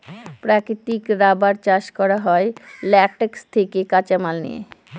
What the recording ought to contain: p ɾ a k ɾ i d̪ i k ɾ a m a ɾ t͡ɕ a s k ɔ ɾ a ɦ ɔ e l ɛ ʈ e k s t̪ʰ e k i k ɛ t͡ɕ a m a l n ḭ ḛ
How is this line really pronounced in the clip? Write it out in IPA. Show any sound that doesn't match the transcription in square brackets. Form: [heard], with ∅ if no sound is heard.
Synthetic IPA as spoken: p ɾ a k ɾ i [t̪] i k ɾ a [b] a ɾ t͡ɕ a [ʃ] k ɔ ɾ a ɦ ɔ e l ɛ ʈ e k s t̪ʰ e k [e] k [a] t͡ɕ a m a l n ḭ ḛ